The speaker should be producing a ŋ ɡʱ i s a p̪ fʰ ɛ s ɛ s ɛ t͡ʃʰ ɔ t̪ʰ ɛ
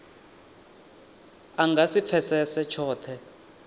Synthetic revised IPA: a ŋ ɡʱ a s i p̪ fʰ ɛ s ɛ s ɛ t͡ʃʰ ɔː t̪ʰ ɛ